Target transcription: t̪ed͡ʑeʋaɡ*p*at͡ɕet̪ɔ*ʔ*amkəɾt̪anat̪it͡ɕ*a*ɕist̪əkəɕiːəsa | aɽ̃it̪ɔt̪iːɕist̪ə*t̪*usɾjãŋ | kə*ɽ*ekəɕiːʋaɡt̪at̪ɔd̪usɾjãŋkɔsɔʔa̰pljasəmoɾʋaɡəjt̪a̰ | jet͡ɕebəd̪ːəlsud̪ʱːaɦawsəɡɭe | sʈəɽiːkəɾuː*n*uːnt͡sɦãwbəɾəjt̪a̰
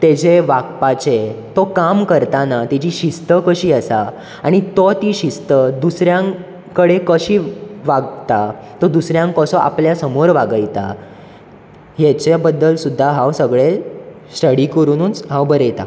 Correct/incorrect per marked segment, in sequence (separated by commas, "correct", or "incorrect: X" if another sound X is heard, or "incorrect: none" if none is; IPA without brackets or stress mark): correct, incorrect: k, incorrect: i, incorrect: d̪, correct, correct